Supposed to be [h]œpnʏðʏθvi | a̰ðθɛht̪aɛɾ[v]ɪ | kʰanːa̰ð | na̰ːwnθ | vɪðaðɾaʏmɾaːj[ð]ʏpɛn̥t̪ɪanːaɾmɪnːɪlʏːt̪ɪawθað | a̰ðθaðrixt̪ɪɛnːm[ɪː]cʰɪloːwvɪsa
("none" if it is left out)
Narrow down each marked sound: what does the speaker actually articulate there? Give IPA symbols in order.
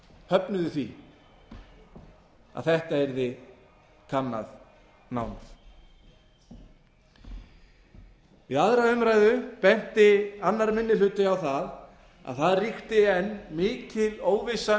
h, ð, ð, ɪː

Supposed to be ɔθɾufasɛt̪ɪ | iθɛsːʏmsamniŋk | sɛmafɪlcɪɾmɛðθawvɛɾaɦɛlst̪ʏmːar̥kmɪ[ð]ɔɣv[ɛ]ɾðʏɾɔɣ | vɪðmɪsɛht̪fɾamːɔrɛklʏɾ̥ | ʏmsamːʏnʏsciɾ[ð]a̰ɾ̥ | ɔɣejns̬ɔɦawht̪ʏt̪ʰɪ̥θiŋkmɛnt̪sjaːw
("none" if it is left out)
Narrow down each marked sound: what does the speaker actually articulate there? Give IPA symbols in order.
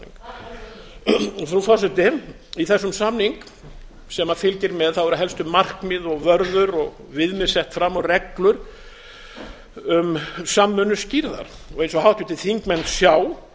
ð, œ, ð

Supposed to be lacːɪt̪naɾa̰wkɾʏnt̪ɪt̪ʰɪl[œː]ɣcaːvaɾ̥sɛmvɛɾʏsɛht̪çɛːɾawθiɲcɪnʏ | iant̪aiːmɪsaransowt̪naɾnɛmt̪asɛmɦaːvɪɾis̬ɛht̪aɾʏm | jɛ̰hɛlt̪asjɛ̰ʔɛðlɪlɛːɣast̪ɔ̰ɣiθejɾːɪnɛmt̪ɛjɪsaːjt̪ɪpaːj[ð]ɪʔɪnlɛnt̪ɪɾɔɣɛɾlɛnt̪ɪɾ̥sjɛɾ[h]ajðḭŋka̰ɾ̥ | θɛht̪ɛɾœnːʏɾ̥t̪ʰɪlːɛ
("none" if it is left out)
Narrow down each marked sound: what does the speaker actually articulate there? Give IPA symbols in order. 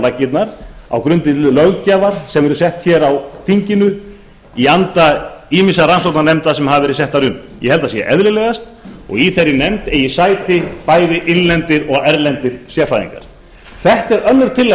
œ, ð, f

